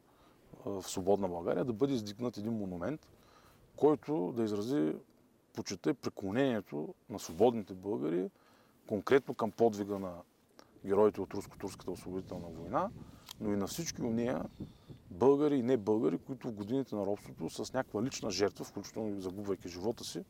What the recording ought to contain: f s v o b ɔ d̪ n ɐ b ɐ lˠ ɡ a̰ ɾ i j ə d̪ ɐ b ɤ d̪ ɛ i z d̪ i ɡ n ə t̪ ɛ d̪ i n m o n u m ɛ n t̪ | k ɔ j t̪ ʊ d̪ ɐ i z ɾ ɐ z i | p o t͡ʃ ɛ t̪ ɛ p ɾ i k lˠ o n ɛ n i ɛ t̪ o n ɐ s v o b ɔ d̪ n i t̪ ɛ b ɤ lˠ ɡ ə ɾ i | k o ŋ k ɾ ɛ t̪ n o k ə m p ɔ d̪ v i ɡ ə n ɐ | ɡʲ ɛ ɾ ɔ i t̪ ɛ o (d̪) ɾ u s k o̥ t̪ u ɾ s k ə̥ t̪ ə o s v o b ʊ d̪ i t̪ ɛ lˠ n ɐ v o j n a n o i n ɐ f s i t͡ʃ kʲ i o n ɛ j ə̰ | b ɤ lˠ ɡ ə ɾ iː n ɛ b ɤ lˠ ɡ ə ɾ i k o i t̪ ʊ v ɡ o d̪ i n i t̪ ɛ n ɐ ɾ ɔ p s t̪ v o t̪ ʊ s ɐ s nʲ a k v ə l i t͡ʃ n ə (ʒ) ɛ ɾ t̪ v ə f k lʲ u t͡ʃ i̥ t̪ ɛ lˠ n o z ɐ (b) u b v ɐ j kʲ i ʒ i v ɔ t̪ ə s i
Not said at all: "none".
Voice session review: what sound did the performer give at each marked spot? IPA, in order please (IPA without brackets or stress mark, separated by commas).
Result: t̪, ʒ, ɡ